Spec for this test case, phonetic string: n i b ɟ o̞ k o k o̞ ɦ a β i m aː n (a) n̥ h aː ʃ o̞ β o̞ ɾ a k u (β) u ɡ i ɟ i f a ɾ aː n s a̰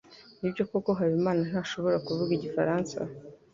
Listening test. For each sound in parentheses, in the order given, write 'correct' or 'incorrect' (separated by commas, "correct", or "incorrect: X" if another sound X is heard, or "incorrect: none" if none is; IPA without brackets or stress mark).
correct, incorrect: v